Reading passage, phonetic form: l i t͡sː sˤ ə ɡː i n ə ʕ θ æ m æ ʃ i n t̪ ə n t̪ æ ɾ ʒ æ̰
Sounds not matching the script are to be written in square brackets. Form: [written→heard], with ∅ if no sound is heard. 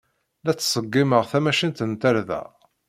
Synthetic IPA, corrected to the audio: l [i→æ] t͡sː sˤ ə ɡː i [n→m] ə [ʕ→ʁ] θ æ m æ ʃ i n t̪ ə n t̪ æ ɾ [ʒ→ð] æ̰